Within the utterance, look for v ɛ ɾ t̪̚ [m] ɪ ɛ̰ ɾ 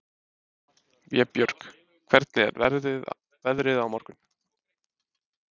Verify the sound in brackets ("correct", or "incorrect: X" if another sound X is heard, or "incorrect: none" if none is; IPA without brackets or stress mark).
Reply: incorrect: n